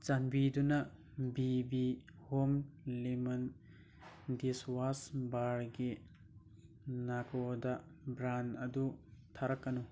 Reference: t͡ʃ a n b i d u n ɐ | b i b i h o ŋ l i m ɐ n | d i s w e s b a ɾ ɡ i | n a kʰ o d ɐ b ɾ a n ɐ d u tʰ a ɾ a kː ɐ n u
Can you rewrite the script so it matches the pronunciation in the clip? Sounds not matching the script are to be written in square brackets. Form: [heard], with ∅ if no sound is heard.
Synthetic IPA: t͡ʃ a n b i d u n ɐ | b i b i h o [m] l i m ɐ n | d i s w [a] s b a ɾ ɡ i | n a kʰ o d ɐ b ɾ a n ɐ d u tʰ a ɾ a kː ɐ n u